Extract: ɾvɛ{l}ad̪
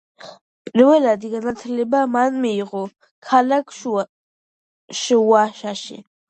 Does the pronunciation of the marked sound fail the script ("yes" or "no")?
no